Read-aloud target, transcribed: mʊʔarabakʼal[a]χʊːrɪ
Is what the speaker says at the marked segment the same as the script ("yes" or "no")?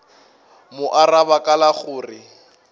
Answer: yes